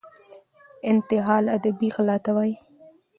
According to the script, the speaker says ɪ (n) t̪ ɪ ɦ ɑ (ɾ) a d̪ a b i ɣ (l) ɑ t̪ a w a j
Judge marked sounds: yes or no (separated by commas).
yes, no, yes